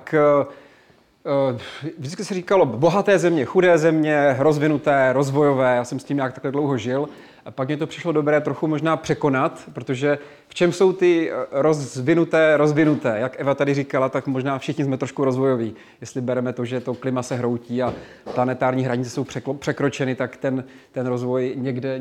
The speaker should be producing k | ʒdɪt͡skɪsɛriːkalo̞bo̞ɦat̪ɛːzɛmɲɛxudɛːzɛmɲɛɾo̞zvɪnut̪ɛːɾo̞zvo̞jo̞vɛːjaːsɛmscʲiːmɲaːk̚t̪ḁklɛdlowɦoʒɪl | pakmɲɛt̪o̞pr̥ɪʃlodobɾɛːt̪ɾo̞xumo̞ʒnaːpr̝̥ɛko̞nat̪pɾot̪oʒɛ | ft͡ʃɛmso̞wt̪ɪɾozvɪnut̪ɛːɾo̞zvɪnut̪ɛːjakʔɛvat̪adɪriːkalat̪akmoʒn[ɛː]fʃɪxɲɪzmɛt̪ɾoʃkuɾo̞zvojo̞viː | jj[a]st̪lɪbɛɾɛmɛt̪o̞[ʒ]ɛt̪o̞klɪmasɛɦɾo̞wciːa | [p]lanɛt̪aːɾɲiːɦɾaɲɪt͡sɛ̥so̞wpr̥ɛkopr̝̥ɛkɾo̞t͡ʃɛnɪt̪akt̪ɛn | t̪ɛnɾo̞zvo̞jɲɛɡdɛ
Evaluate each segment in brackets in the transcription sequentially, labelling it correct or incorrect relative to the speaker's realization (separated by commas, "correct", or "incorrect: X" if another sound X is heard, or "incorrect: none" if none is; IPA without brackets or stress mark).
incorrect: aː, incorrect: ɛ, correct, correct